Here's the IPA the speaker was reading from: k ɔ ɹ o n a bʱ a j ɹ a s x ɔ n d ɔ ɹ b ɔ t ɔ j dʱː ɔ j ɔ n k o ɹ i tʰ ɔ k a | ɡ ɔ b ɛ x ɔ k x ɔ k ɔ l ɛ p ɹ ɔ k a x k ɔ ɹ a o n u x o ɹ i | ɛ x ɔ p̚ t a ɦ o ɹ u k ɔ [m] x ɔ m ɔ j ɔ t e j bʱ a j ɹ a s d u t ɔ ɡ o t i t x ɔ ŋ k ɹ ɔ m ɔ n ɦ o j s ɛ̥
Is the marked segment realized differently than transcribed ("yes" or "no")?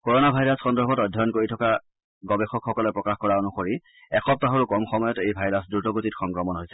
no